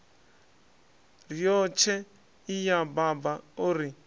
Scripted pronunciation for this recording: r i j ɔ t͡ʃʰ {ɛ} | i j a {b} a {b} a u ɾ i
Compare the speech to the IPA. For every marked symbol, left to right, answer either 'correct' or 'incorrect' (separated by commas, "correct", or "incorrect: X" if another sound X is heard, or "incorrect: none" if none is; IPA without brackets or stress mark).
correct, correct, correct